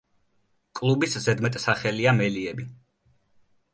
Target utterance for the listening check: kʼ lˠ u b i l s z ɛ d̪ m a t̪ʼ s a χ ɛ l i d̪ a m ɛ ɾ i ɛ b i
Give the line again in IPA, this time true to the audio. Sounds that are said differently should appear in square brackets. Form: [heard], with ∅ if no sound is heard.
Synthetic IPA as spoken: kʼ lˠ u b i [∅] s z ɛ d̪ m [ɛ] t̪ʼ s a χ ɛ l i [∅] a m ɛ [l] i ɛ b i